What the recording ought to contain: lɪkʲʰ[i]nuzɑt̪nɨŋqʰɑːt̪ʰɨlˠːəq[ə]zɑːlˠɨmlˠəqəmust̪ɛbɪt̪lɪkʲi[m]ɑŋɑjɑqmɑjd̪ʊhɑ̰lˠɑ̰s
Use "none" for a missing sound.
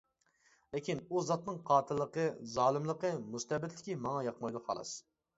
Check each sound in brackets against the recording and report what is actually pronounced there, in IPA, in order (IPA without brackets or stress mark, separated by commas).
i, ə, m